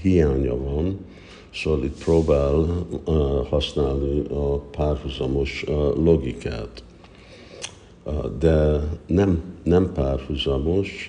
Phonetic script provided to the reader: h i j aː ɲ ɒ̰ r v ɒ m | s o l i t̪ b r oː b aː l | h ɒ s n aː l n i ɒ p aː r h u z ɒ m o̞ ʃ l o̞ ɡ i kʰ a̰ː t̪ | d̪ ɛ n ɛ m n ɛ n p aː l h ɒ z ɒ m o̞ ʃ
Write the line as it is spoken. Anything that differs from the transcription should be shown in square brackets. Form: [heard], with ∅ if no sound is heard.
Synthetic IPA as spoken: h i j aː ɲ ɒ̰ [∅] v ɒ [n] | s o l i t̪ [p] r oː b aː l | h ɒ s n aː l n i ɒ p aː r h u z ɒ m o̞ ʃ l o̞ ɡ i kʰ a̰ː t̪ | d̪ ɛ n ɛ m n ɛ [m] p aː [r] h [u] z ɒ m o̞ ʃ